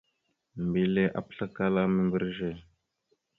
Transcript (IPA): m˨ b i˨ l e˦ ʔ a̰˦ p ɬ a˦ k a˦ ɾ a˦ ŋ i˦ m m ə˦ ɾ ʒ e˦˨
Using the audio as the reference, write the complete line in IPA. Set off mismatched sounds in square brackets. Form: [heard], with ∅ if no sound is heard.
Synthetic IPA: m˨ b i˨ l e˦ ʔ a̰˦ p ɬ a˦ k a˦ [l] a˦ [m] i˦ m [b] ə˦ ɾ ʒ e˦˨